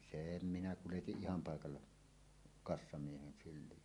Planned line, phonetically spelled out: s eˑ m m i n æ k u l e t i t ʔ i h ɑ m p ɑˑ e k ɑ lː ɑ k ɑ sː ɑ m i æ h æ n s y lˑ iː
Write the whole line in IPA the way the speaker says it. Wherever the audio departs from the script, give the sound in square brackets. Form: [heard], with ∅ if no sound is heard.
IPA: s eˑ m m i n æ k u l e t i [ʔ] ʔ i h ɑ m p ɑˑ e k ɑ lː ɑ k ɑ sː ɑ m i [e] h [e] n s y lˑ iː